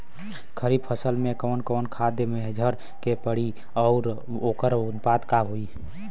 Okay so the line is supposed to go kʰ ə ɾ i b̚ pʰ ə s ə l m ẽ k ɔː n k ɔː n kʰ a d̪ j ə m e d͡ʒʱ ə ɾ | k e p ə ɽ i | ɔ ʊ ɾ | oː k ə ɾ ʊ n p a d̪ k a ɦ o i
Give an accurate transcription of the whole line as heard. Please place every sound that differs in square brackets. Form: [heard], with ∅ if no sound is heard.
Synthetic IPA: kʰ ə ɾ i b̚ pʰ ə s ə l m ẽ k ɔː n k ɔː n kʰ a d̪ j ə m e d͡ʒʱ ə ɾ | k e p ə ɽ i | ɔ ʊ ɾ | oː k ə ɾ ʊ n p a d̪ k a ɦ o i